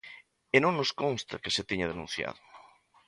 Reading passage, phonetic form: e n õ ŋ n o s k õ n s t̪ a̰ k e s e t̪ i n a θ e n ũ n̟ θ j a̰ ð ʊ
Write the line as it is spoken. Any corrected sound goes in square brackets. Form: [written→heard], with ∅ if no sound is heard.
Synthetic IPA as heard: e n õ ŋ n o s k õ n s t̪ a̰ k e s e t̪ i [n→ɲ] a [θ→ð] e n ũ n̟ θ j a̰ ð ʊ